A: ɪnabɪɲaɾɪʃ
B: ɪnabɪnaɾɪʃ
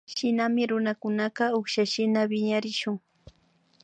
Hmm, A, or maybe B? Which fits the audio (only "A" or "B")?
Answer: A